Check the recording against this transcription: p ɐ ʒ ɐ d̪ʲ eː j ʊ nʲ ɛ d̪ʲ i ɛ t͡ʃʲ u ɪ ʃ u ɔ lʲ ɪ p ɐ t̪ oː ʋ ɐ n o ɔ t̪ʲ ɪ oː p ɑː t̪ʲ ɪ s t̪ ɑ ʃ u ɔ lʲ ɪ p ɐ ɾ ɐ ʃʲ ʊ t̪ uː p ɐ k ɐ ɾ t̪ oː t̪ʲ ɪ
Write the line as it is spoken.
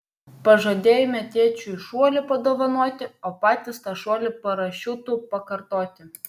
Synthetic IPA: p ɐ ʒ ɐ d̪ʲ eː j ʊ mʲ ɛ t̪ʲ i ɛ t͡ʃʲ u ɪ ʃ u ɔ lʲ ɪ p ɐ d̪ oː ʋ ɐ n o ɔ t̪ʲ ɪ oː p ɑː t̪ʲ ɪ s t̪ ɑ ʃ u ɔ lʲ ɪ p ɐ ɾ ɐ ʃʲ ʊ t̪ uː p ɐ k ɐ ɾ t̪ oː t̪ʲ ɪ